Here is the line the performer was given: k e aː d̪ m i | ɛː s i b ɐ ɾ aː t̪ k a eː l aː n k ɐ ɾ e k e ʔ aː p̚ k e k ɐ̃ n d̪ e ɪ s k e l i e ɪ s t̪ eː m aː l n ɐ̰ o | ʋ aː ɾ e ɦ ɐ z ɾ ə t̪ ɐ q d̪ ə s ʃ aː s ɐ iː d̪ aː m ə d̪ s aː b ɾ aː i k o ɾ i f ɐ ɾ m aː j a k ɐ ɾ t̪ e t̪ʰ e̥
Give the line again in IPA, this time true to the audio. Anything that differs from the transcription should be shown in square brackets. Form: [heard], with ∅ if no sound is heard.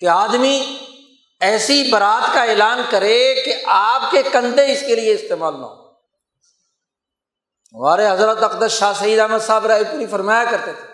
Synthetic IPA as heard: k e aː d̪ m i | ɛː s i b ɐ ɾ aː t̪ k a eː l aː n k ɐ ɾ e k e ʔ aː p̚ k e k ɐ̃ n d̪ e ɪ s k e l i e ɪ s t̪ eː m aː l n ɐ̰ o | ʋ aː ɾ e ɦ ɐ z ɾ ə t̪ ɐ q d̪ ə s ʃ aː s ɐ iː d̪ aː m ə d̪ s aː b ɾ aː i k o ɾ i f ɐ ɾ m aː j a k ɐ ɾ t̪ e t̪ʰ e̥